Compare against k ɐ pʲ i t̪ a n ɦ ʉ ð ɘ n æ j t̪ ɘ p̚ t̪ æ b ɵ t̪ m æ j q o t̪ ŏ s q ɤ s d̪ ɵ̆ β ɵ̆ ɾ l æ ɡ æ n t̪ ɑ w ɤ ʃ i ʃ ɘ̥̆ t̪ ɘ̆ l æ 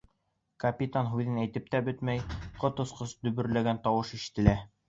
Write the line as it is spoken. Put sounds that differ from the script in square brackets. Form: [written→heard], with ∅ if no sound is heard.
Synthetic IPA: k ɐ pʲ i t̪ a n ɦ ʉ ð ɘ n æ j t̪ ɘ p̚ t̪ æ b ɵ t̪ m æ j q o t̪ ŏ s q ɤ s d̪ ɵ̆ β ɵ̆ ɾ l æ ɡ æ n t̪ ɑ w ɤ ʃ i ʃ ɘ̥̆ t̪ ɘ̆ l æ